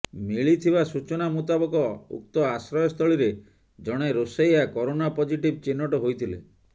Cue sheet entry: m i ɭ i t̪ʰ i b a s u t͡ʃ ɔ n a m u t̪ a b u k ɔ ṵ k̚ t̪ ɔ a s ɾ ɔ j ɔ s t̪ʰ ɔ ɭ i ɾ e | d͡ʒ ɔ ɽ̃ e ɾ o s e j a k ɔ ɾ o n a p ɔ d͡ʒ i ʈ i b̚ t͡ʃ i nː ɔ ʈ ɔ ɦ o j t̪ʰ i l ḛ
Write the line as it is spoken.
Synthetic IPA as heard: m i ɭ i t̪ʰ i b a s u t͡ʃ ɔ n a m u t̪ a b ɔ k ɔ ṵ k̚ t̪ ɔ a s ɾ ɔ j ɔ s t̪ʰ ɔ ɭ i ɾ e | d͡ʒ ɔ ɽ̃ e ɾ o s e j a k ɔ ɾ o n a p ɔ d͡ʒ i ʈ i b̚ t͡ʃ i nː ɔ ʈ ɔ ɦ o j t̪ʰ i l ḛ